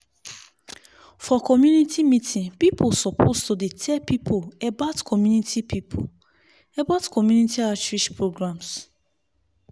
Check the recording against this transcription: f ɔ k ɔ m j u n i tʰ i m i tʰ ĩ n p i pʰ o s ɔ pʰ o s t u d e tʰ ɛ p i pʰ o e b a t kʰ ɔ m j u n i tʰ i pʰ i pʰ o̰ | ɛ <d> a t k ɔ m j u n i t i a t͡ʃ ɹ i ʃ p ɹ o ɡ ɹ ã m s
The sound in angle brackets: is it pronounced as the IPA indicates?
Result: no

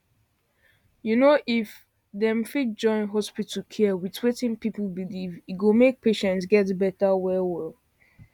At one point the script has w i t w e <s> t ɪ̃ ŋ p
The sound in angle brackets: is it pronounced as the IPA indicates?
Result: no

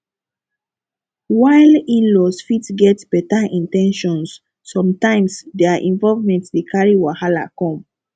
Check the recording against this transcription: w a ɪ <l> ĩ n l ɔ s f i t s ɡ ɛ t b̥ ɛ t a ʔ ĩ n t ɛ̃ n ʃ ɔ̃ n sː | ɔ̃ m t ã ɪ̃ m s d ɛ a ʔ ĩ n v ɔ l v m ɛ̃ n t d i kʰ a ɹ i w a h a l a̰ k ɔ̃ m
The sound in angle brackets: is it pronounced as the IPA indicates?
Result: yes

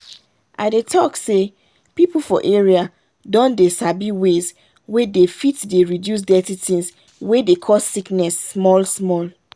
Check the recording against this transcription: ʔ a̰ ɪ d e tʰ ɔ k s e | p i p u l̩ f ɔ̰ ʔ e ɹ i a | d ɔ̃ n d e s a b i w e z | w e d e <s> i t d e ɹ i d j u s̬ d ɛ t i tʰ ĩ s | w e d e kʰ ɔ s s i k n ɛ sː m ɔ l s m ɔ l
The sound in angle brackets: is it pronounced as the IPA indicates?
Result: no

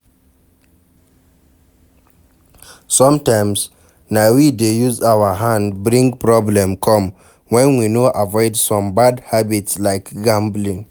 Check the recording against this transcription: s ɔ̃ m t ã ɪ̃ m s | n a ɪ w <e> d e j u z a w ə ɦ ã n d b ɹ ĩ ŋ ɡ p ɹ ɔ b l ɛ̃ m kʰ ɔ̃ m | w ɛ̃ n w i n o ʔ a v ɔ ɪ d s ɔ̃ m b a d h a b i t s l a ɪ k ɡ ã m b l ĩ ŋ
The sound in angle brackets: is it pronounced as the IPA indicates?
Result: no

